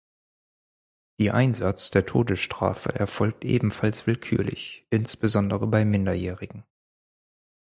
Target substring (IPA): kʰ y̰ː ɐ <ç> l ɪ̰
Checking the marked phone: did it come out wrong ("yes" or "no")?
yes